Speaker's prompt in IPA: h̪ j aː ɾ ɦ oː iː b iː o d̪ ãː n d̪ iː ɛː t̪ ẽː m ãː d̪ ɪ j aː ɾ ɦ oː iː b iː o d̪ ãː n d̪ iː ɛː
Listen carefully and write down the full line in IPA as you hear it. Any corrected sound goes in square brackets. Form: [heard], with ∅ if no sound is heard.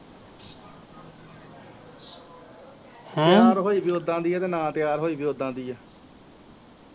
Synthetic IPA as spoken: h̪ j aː ɾ ɦ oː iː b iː o d̪ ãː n d̪ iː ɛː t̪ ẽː [n] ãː [t̪] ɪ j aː ɾ ɦ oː iː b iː o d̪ ãː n d̪ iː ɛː

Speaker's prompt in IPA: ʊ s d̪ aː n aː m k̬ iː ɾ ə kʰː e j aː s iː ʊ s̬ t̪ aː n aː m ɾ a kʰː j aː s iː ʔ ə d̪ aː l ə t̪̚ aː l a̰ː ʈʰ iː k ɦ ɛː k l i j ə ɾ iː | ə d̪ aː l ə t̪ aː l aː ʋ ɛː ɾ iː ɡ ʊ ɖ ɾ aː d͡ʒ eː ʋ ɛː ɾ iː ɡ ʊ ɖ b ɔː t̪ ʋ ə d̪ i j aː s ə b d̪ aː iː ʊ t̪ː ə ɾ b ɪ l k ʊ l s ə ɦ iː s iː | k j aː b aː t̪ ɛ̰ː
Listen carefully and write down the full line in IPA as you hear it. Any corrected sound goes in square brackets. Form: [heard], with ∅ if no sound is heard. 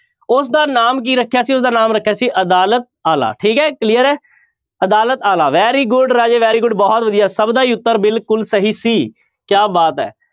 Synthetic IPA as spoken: ʊ s d̪ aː n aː m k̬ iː ɾ ə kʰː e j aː s iː ʊ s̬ [d̪] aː n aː m ɾ [ə] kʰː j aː s iː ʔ ə d̪ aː l ə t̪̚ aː l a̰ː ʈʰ iː k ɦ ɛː k l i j ə ɾ [ɛː] | ə d̪ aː l ə t̪ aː l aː ʋ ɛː ɾ iː ɡ ʊ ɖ ɾ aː d͡ʒ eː ʋ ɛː ɾ iː ɡ ʊ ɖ b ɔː t̪ ʋ ə d̪ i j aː s ə b d̪ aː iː ʊ t̪ː ə ɾ b ɪ l k ʊ l s ə ɦ iː s iː | k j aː b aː t̪ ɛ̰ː

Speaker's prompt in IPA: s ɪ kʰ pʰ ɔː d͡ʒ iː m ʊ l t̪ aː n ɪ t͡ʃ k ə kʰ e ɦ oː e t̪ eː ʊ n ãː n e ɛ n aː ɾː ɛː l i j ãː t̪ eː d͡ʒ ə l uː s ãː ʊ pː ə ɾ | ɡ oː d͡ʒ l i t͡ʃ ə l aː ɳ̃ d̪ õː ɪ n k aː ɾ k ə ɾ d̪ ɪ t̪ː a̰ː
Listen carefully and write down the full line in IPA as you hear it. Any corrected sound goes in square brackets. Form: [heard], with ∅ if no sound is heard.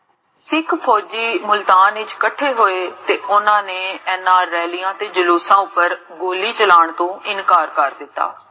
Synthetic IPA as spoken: s ɪ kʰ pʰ ɔː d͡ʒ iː m ʊ l t̪ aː n ɪ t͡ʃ k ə [ʈʰ] e ɦ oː e t̪ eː ʊ n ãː n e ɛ n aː ɾː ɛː l i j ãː t̪ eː d͡ʒ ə l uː s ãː ʊ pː ə ɾ | ɡ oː [∅] l i t͡ʃ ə l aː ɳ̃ [t̪] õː ɪ n k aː ɾ k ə ɾ d̪ ɪ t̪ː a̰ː

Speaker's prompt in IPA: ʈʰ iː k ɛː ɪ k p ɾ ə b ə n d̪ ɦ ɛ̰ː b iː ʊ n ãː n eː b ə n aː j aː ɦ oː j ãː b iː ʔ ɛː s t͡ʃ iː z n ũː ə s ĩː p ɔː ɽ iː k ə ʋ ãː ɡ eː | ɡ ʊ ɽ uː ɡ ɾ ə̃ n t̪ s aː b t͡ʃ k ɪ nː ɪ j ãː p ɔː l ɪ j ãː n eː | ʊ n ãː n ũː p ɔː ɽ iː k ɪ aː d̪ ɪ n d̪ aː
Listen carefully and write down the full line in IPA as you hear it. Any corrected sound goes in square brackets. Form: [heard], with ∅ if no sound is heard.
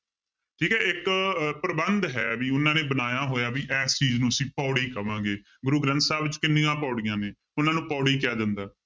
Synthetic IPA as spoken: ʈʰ iː k ɛː ɪ k p ɾ ə b ə n d̪ ɦ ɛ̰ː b iː ʊ n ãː n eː b ə n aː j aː ɦ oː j [aː] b iː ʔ ɛː s t͡ʃ iː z n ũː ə s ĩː p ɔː ɽ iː k ə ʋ ãː ɡ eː | ɡ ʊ [ɾ] uː ɡ ɾ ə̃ n t̪ s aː b t͡ʃ k ɪ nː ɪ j ãː p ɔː [ɽ] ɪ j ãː n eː | ʊ n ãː n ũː p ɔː ɽ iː k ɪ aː d̪ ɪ n d̪ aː

